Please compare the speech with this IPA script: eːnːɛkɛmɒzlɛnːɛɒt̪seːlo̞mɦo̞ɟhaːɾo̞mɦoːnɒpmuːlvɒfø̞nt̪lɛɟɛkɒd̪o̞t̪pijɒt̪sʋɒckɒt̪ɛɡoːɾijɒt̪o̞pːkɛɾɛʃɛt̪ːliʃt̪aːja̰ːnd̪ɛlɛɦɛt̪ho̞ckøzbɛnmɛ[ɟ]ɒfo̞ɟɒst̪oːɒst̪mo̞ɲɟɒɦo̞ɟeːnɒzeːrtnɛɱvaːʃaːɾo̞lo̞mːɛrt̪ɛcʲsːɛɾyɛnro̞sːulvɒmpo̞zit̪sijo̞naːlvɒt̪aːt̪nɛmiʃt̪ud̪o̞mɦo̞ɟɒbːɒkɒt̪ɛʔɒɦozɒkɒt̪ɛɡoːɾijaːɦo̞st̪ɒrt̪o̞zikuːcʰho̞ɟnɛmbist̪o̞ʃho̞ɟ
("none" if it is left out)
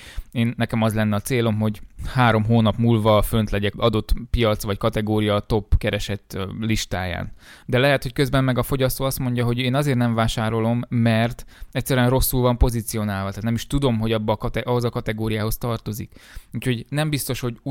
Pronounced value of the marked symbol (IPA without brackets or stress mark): ɡ